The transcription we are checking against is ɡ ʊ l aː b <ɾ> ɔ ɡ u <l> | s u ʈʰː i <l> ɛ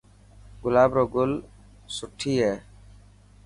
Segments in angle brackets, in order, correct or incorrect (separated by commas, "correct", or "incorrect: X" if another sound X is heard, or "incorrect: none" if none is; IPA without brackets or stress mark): correct, correct, incorrect: none